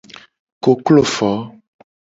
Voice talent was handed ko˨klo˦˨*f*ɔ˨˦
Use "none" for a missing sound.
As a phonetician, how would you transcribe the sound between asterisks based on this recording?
f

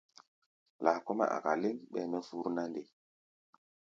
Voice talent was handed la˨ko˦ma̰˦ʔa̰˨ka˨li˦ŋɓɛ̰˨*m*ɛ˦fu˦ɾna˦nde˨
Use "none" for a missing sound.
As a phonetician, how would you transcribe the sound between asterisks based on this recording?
m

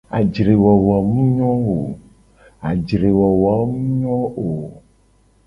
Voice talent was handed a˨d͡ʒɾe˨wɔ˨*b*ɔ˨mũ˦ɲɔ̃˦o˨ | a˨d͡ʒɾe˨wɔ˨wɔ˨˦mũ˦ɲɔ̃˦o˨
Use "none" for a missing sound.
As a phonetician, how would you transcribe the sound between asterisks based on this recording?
w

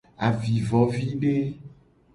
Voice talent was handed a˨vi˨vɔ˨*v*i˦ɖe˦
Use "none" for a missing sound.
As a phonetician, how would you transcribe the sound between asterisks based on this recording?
v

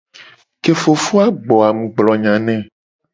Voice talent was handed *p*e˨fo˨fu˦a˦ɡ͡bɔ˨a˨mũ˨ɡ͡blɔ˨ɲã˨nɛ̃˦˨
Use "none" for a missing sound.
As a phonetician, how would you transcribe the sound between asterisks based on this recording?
k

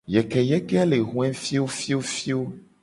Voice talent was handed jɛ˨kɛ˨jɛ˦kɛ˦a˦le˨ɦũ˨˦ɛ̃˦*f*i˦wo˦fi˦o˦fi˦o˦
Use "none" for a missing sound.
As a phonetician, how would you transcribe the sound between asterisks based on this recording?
f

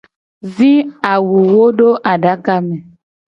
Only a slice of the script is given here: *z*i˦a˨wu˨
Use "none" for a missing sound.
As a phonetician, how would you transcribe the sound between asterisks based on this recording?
z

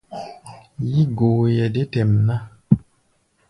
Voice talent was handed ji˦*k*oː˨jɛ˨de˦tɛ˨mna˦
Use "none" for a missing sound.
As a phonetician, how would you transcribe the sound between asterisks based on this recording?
ɡ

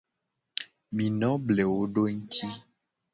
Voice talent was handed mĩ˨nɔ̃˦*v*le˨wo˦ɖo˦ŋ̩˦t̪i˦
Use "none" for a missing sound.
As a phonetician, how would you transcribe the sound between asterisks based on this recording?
b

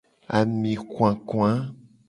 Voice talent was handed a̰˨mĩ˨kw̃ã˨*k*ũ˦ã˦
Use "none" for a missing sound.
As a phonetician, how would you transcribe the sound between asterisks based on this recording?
k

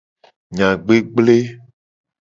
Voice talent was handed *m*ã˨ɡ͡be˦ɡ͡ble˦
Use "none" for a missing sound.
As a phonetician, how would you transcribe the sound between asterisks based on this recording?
ɲ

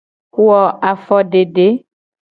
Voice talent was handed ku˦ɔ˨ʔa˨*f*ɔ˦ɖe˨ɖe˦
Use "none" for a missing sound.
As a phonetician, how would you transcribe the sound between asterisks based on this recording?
f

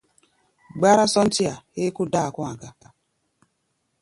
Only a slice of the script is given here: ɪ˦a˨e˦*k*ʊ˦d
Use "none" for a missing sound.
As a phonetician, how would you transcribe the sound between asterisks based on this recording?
k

